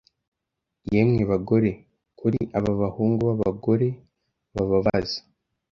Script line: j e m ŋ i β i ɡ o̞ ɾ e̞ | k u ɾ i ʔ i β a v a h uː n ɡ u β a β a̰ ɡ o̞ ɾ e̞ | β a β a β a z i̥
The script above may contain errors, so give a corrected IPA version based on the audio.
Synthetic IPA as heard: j e m ŋ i β a ɡ o̞ ɾ e̞ | k u ɾ i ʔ a β a β a h uː ŋ ɡ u β a β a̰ ɡ o̞ ɾ e̞ | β a β a β a z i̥